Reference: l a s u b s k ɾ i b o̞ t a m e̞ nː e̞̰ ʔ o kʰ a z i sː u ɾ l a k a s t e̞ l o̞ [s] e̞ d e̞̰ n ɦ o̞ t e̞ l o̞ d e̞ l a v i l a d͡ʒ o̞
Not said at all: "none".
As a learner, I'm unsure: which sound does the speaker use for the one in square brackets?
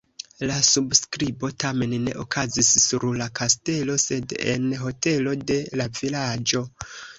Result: s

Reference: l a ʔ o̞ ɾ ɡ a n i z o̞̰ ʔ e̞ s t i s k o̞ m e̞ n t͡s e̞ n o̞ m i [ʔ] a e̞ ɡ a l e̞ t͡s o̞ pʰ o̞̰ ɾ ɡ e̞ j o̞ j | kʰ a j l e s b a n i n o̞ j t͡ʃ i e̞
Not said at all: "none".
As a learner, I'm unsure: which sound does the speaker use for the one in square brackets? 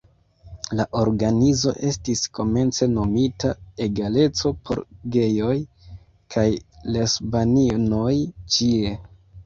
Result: t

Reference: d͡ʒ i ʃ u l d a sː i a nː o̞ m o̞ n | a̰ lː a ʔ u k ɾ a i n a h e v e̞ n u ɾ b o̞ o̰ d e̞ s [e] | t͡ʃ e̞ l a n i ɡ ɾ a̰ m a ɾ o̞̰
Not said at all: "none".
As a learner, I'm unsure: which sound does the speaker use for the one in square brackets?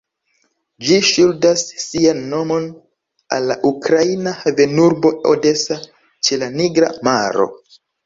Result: a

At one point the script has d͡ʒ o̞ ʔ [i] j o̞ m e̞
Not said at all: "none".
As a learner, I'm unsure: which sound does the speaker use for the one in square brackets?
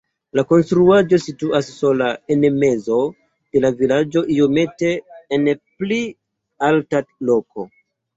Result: i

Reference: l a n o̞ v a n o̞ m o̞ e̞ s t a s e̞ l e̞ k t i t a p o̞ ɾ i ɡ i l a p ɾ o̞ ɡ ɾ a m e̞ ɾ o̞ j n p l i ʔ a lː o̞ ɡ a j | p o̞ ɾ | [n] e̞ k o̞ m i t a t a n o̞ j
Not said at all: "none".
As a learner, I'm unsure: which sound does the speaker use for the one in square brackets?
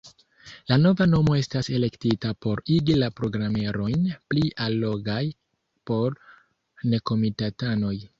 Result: n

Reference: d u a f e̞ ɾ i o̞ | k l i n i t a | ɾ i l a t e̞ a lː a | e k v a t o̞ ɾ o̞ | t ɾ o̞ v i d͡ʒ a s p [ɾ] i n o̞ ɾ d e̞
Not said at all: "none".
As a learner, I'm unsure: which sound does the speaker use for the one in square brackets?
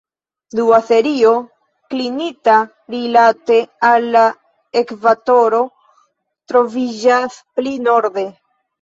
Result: l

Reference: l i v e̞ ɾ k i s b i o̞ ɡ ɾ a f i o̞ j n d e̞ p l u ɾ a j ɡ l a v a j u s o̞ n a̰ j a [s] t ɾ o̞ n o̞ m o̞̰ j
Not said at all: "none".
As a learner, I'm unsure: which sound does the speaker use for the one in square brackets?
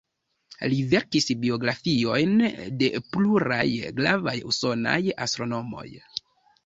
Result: s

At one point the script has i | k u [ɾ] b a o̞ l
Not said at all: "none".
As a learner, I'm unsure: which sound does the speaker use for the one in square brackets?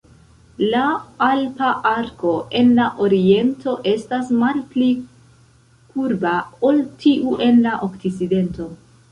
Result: ɾ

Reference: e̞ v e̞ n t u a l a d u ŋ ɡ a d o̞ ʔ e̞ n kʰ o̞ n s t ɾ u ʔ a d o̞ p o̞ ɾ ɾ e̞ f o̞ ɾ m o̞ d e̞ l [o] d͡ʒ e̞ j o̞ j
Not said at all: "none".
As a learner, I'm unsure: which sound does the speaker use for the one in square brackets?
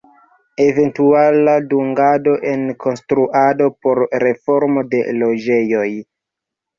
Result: o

